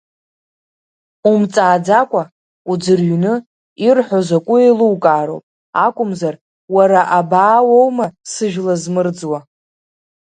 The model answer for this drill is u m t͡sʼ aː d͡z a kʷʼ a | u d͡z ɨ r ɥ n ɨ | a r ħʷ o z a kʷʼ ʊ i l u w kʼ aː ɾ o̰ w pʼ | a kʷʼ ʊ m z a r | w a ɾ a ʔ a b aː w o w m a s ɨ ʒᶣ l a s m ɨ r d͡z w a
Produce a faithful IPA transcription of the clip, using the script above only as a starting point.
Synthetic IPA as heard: u m t͡sʼ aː d͡z a kʷʼ a | u d͡z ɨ r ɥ n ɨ | i r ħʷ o z a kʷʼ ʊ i l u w kʼ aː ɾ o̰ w pʼ | a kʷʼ ʊ m z a r | w a ɾ a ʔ a b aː w o w m a s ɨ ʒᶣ l a z m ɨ r d͡z w a